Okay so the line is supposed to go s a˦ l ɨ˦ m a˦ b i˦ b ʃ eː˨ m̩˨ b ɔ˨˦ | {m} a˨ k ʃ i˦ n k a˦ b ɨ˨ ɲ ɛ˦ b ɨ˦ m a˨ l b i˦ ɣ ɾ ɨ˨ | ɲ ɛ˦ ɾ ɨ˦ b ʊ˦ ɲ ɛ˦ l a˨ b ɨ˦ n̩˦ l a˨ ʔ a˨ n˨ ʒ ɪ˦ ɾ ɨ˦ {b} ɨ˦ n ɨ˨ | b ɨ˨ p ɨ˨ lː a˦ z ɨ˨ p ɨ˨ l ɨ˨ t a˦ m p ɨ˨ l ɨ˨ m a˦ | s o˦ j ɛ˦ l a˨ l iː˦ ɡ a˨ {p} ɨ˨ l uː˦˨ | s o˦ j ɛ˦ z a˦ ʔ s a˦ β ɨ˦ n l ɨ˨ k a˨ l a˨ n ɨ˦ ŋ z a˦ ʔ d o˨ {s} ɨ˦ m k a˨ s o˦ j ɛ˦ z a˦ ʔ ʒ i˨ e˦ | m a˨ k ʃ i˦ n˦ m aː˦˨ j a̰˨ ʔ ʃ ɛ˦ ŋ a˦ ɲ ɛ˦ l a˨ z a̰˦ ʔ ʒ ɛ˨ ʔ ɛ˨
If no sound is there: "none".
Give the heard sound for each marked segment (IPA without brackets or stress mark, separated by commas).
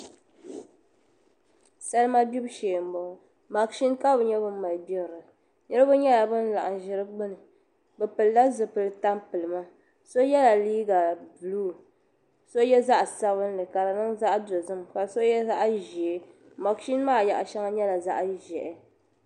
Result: m, ɡ͡b, b, z